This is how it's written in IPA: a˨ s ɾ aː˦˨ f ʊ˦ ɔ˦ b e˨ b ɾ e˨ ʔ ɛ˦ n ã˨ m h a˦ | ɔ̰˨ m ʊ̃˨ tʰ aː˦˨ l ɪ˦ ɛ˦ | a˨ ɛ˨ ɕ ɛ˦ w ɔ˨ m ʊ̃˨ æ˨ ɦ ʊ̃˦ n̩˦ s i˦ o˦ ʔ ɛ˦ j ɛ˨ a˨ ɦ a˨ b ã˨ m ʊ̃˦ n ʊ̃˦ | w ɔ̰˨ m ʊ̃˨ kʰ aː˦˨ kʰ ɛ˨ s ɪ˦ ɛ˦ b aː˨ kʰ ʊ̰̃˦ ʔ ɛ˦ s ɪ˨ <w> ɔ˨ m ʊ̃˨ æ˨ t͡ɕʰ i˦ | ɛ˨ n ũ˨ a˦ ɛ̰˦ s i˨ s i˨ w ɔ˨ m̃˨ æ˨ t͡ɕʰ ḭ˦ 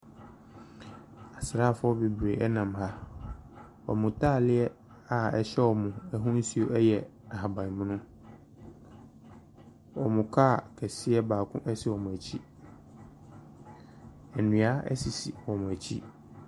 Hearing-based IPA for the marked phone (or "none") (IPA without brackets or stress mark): w